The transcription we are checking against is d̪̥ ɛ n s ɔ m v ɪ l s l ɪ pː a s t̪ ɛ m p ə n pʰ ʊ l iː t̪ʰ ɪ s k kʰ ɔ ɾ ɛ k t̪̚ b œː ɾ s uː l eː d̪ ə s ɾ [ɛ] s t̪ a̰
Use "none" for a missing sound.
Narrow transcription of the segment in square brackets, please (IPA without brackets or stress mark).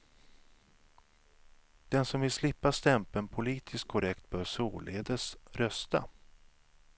œ